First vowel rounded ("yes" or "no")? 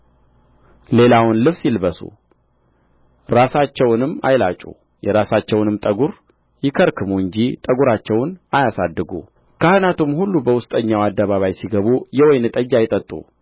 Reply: no